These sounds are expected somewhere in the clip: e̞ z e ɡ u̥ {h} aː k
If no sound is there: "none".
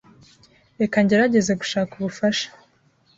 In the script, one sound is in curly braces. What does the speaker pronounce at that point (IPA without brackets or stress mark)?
ʃ